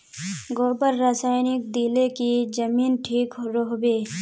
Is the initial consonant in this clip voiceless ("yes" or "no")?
no